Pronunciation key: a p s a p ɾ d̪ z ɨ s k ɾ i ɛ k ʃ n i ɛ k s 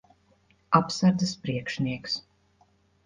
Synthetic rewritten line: a p s a ɾ d̪ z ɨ s p ɾ i ɛ k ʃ n i ɛ k s